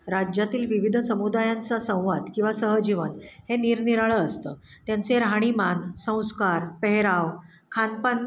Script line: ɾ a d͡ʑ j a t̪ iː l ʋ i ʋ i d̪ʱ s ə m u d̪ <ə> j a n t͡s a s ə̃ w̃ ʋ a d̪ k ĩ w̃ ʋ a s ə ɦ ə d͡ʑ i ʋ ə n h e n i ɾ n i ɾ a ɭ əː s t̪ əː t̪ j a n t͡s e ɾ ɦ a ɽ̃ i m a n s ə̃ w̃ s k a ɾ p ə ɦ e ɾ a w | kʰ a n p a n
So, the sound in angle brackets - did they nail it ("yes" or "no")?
no